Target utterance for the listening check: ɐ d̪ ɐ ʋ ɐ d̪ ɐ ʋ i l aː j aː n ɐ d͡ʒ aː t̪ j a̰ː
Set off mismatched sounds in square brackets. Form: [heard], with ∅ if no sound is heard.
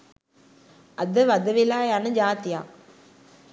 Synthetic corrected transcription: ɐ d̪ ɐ ʋ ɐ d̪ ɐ ʋ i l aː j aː n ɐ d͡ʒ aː t̪ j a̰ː